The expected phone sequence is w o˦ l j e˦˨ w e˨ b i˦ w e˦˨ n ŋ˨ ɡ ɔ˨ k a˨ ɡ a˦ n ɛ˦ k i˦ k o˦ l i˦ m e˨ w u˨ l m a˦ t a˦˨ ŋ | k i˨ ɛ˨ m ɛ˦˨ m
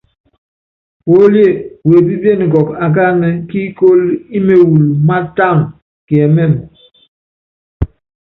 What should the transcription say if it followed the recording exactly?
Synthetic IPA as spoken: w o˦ l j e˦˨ w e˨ b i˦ b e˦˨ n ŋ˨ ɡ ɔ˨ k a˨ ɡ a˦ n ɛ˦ k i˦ k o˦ l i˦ m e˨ w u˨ l m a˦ t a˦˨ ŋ | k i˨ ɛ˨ m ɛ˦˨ m